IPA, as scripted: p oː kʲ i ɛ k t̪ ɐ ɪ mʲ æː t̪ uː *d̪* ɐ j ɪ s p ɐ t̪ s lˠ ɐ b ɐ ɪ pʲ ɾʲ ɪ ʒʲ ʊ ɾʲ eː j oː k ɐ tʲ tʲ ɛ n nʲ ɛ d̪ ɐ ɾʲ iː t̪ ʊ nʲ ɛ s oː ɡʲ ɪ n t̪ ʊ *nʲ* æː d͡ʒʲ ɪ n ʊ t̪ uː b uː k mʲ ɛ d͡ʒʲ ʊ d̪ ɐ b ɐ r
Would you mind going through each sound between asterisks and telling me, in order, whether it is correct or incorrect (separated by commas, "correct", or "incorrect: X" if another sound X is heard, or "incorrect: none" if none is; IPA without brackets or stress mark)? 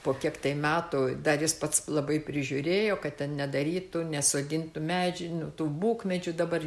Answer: correct, incorrect: mʲ